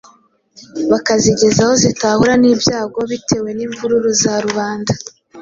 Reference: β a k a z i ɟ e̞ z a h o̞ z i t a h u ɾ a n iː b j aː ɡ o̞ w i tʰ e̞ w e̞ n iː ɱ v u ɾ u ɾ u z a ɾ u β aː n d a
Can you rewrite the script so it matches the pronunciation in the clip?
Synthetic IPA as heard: β a k a z i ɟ e̞ z a h o̞ z i t a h u ɾ a n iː b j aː ɡ o̞ β i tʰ e̞ w e̞ n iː ɱ v u ɾ u ɾ u z a ɾ u β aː n d a